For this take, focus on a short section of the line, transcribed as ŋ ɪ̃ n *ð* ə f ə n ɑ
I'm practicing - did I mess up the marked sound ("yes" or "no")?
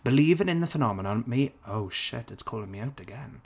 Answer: no